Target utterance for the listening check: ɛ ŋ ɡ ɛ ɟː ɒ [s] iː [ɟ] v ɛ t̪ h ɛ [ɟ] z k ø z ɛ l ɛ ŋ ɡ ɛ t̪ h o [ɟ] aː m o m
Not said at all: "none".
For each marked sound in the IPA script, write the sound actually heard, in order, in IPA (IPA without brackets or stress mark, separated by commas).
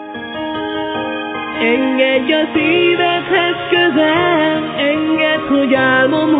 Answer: s, none, none, ɟ